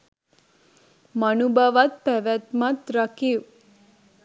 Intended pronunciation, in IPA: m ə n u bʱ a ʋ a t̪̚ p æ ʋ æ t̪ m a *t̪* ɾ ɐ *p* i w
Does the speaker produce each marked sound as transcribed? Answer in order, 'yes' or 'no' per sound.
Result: yes, no

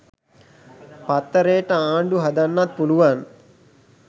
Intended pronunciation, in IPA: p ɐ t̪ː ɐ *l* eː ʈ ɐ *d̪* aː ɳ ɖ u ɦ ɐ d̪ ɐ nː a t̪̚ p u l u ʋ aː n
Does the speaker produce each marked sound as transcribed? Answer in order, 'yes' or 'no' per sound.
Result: no, no

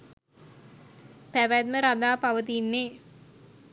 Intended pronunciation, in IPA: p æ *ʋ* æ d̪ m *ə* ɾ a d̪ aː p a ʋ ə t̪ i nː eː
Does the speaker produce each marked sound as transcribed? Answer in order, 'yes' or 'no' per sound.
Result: yes, yes

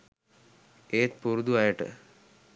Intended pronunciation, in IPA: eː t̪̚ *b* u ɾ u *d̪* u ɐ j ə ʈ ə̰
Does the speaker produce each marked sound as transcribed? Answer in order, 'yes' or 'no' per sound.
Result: no, yes

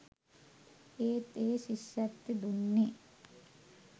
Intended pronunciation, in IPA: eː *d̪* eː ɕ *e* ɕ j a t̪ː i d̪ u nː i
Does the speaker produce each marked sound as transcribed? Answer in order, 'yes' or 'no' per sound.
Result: no, no

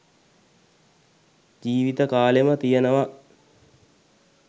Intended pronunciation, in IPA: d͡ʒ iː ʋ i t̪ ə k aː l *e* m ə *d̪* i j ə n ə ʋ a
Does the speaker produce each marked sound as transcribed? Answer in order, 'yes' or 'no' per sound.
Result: yes, no

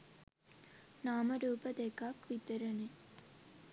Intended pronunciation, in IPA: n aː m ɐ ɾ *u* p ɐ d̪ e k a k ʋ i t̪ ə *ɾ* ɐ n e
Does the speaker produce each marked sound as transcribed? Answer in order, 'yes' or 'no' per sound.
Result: no, yes

